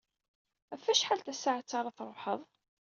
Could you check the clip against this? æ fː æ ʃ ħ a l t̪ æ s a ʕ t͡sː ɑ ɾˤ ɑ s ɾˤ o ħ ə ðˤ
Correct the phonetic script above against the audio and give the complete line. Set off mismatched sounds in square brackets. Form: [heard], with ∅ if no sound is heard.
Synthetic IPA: æ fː æ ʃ ħ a l t̪ æ s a ʕ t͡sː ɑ ɾˤ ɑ [θ] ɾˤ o ħ ə ðˤ